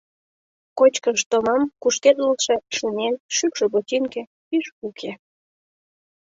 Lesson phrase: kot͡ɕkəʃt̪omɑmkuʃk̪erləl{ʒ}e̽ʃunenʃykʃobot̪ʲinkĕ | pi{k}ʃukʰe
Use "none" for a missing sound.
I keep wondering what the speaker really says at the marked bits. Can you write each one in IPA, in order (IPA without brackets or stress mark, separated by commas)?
ʃ, none